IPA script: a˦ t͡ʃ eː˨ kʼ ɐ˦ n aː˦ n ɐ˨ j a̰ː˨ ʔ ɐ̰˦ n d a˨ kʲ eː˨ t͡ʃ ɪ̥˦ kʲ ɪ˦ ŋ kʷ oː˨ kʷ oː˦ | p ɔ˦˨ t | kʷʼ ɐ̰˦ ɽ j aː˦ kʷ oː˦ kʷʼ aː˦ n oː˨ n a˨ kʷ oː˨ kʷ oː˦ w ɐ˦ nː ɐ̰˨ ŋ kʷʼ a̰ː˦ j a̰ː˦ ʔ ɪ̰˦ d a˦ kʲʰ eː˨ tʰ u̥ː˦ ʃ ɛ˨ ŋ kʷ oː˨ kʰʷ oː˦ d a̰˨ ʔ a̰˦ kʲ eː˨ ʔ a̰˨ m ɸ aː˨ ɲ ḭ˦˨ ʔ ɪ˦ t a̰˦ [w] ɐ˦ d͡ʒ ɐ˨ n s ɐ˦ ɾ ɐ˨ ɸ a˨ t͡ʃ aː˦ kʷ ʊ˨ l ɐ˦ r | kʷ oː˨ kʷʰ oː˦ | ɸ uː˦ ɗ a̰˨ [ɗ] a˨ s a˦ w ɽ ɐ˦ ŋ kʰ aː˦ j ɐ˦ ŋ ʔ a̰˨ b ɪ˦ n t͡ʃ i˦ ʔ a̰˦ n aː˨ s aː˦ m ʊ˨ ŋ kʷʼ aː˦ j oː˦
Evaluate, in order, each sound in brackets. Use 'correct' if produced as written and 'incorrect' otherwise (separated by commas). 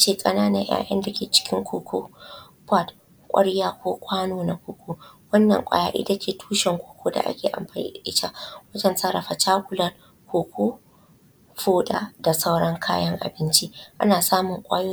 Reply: correct, incorrect